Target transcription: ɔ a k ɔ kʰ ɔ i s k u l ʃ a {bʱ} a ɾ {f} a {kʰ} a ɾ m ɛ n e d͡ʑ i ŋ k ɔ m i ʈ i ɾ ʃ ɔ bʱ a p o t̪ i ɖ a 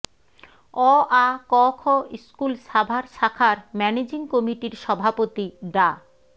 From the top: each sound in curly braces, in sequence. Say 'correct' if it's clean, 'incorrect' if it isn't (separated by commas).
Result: correct, incorrect, correct